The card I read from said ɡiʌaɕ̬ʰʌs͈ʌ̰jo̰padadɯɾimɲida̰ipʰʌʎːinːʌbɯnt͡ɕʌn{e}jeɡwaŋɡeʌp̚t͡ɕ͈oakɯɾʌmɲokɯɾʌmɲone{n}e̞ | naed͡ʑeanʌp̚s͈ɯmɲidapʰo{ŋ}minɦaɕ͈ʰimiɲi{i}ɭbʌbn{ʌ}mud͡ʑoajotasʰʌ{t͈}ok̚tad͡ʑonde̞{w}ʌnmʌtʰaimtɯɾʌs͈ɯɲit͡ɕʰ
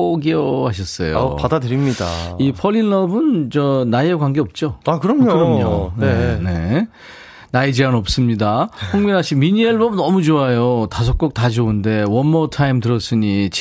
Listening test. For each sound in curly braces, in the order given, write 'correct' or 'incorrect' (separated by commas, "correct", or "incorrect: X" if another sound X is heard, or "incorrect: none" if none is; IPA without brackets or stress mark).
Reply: incorrect: a, correct, correct, incorrect: e, correct, incorrect: k͈, correct